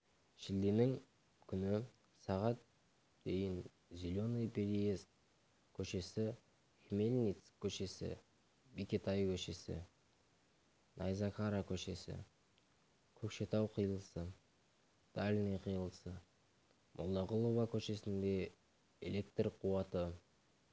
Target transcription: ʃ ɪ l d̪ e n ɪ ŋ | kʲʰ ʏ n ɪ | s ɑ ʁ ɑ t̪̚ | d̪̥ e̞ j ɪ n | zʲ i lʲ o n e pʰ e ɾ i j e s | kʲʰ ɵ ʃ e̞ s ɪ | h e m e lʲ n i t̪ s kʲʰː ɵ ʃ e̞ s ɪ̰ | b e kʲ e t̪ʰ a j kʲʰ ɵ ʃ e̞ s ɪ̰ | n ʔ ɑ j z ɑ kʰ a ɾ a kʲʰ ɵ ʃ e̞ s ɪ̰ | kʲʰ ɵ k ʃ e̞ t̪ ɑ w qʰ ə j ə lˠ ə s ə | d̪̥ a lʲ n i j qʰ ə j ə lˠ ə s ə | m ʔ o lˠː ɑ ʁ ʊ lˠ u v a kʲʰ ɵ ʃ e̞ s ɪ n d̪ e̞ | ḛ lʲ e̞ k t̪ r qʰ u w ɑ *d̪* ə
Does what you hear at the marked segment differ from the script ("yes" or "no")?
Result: yes